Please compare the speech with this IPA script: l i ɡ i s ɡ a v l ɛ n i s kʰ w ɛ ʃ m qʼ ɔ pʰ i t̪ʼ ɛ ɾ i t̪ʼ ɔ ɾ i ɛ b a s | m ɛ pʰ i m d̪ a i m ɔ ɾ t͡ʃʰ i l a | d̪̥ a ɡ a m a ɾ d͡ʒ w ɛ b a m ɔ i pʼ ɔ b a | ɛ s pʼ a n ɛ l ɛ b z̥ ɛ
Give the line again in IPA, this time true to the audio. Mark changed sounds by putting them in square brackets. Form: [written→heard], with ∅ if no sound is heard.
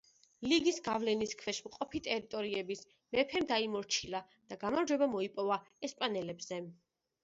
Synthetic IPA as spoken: l i ɡ i s ɡ a v l ɛ n i s kʰ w ɛ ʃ m qʼ ɔ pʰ i t̪ʼ ɛ ɾ i t̪ʼ ɔ ɾ i ɛ b [a→i] s | m ɛ pʰ [i→ɛ] m d̪ a i m ɔ ɾ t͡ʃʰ i l a | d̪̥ a ɡ a m a ɾ d͡ʒ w ɛ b a m ɔ i pʼ ɔ [b→v] a | ɛ s pʼ a n ɛ l ɛ b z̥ ɛ